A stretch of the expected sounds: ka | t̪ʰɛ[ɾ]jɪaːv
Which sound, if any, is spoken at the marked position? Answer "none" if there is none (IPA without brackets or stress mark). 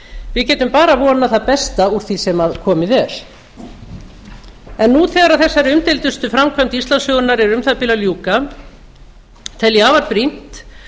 l